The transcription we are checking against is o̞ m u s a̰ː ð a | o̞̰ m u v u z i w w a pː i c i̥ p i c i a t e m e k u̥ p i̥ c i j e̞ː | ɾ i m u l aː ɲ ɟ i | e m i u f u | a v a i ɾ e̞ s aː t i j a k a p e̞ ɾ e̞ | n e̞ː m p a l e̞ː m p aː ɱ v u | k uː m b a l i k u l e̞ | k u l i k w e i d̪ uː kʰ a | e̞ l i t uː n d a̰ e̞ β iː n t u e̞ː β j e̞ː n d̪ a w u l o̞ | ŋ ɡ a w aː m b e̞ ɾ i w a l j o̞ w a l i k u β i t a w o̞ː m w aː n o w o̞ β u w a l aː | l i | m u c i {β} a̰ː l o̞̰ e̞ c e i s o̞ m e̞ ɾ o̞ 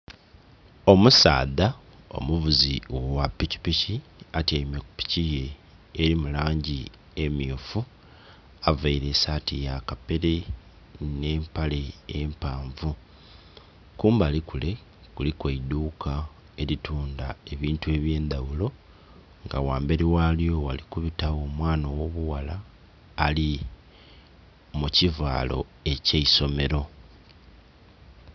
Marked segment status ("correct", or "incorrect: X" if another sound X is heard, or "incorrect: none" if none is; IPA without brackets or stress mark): incorrect: v